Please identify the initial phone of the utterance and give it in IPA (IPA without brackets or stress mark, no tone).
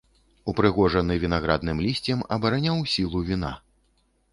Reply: u